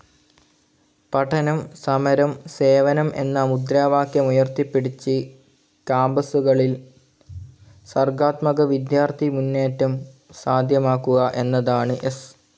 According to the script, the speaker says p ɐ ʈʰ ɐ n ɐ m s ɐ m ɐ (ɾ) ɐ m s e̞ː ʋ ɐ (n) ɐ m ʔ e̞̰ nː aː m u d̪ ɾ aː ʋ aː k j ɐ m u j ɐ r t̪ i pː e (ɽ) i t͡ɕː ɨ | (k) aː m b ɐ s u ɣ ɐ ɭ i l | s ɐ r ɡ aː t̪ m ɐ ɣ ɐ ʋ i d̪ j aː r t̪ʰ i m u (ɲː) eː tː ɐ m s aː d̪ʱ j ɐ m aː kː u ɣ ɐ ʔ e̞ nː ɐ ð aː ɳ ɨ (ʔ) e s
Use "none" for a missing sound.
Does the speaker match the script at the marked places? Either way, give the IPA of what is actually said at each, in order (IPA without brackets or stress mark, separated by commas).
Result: ɾ, n, ɽ, k, nː, ʔ